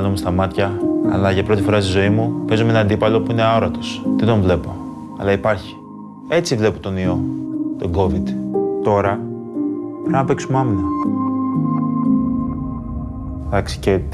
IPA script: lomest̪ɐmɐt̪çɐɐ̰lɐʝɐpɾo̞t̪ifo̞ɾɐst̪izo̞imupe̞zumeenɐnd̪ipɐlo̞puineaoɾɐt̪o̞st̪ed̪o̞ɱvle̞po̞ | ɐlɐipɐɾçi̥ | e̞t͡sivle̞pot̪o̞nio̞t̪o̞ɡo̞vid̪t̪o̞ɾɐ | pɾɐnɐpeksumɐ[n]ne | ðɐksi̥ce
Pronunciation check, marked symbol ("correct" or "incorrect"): incorrect